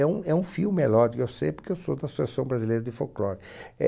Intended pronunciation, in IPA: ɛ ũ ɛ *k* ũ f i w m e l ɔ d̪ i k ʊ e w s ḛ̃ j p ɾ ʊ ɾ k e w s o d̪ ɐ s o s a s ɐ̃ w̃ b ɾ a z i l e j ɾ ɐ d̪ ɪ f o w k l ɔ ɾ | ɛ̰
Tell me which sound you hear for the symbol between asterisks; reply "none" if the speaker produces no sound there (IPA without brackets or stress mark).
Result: none